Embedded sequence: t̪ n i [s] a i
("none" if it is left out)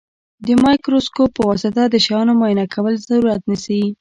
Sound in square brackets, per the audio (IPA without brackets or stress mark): s